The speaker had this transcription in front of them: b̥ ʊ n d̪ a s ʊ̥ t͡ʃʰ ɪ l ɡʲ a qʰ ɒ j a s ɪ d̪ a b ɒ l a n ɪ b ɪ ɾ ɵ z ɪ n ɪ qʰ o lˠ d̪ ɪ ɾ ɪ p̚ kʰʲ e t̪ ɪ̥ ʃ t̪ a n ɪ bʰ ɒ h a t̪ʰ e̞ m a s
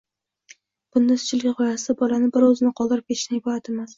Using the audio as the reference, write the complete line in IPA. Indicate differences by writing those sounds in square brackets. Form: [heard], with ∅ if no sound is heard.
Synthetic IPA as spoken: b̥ ʊ n d̪ a s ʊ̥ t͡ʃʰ ɪ l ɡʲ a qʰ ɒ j a s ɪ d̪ a b ɒ l a n ɪ b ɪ ɾ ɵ z ɪ n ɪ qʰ [ɒ] lˠ d̪ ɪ ɾ ɪ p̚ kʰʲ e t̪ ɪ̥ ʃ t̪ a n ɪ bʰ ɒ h a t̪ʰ e̞ m a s